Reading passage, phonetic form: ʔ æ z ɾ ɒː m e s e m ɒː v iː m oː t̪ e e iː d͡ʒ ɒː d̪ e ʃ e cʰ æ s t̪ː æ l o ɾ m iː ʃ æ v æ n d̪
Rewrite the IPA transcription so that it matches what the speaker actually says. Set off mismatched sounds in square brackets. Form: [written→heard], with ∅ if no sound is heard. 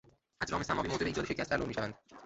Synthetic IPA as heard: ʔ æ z ɾ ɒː m e s [e→æ] m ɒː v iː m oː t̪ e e iː d͡ʒ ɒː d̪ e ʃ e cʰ æ s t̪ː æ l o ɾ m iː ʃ æ v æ n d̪